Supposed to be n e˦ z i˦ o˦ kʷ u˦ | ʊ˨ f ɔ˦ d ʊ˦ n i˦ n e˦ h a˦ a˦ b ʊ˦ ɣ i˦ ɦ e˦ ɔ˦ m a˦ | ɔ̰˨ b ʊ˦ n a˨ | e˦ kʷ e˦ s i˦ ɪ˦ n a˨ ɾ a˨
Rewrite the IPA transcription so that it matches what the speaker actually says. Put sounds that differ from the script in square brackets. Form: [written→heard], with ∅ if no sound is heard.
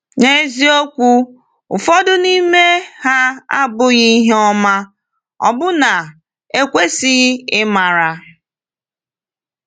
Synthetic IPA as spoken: n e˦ z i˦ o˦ kʷ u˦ | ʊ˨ f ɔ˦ d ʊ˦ n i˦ [n→m] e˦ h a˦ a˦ b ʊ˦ ɣ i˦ ɦ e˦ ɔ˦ m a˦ | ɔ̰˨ b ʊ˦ n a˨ | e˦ kʷ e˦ s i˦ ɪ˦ [n→m] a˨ ɾ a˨